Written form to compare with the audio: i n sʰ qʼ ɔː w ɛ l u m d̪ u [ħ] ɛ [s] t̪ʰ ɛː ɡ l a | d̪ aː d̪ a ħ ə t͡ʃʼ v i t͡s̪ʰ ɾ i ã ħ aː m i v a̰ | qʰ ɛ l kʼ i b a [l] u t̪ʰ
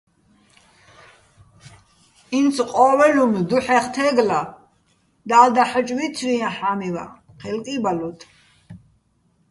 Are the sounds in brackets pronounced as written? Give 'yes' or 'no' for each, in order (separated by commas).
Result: yes, no, yes